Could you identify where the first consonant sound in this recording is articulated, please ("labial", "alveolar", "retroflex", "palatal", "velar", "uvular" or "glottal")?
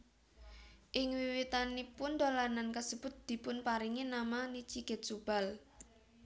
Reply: glottal